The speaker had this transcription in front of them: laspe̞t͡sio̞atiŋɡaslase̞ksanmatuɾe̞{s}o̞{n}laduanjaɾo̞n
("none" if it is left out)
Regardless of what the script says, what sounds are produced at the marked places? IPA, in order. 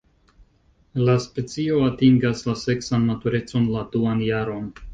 t͡s, n

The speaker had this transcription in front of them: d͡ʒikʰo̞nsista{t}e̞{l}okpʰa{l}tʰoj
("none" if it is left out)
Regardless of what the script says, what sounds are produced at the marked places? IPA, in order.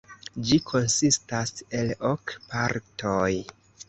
s, l, ɾ

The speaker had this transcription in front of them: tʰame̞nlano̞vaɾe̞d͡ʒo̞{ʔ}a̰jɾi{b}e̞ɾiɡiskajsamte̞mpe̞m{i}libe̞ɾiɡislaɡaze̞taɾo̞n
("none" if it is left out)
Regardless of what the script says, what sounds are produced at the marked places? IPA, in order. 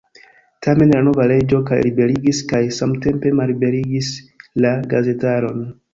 k, b, a

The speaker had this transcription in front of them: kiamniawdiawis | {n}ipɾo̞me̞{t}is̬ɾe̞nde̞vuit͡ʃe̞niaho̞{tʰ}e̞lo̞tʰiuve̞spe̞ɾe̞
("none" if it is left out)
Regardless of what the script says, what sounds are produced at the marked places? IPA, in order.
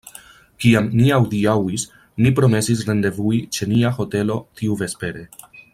n, s, t

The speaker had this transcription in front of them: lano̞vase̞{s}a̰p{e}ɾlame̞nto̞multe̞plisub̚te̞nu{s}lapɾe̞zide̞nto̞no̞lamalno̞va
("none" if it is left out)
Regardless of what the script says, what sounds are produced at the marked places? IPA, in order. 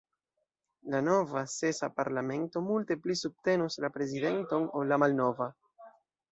s, a, s

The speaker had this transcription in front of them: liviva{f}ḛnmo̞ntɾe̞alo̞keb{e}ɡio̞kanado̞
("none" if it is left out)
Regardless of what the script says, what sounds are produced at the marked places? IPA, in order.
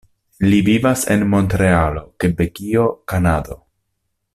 s, e

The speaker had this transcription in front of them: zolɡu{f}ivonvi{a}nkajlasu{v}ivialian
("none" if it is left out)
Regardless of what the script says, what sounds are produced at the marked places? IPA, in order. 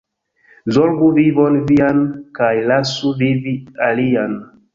v, a, v

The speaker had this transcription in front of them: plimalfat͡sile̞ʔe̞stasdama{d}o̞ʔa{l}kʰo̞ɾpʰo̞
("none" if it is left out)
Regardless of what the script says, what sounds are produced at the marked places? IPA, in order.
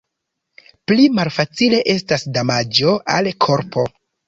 d͡ʒ, l

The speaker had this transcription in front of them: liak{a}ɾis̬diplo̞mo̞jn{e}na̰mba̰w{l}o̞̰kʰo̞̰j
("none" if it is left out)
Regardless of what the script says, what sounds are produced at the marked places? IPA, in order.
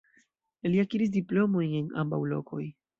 i, e, l

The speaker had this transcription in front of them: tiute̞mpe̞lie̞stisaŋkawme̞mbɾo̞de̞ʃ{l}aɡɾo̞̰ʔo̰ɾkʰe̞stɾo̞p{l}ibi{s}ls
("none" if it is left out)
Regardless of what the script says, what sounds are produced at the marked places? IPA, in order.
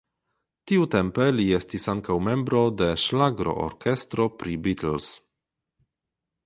l, ɾ, t

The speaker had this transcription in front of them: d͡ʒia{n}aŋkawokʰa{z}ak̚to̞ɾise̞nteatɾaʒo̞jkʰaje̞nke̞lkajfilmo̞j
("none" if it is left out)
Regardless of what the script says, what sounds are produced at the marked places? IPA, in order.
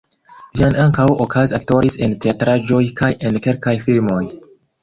n, z

